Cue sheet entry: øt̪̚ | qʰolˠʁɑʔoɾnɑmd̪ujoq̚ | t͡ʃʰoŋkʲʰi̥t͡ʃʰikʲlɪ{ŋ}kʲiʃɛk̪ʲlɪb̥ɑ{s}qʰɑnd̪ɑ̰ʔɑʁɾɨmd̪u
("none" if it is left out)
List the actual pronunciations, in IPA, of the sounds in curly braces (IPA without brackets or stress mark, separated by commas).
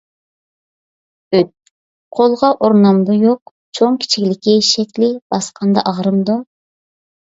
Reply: none, s